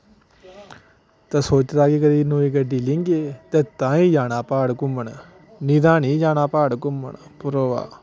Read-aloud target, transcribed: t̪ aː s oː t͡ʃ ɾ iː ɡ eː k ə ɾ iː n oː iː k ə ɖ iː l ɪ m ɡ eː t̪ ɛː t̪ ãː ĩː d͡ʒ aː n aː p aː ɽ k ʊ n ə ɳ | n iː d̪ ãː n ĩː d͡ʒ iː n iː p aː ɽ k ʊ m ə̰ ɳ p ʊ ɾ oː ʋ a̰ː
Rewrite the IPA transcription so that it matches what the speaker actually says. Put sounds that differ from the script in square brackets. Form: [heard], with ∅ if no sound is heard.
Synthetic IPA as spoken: t̪ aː s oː t͡ʃ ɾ [aː] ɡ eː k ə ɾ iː n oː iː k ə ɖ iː l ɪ [ŋ] ɡ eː t̪ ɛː t̪ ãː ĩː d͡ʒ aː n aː p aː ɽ k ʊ [m] ə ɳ | n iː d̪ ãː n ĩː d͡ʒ [aː] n [aː] p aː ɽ k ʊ m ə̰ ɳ p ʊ ɾ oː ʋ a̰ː